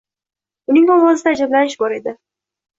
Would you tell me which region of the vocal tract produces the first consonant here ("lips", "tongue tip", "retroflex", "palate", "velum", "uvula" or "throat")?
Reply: tongue tip